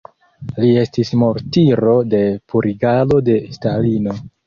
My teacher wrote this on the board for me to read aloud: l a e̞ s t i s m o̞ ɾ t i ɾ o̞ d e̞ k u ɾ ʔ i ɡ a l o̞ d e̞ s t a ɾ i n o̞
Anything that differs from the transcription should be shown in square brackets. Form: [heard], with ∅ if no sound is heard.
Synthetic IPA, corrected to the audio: l [i] e̞ s t i s m o̞ ɾ t i ɾ o̞ d e̞ [p] u ɾ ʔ i ɡ a l o̞ d e̞ s t a [l] i n o̞